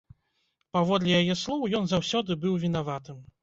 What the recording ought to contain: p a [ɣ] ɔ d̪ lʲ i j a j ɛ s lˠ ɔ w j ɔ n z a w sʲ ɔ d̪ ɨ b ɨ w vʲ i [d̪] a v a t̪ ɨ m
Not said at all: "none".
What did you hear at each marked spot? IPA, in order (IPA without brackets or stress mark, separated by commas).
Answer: v, n̪